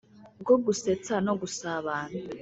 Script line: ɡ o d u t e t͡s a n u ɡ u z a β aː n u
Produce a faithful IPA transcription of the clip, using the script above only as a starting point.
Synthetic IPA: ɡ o ɡ u s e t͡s a n o ɡ u s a β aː n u